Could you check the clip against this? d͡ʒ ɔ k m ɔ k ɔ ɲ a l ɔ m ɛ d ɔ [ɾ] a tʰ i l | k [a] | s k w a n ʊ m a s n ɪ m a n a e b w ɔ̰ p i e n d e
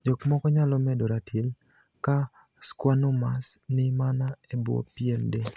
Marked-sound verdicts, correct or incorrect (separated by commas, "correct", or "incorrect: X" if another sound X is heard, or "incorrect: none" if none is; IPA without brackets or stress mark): correct, correct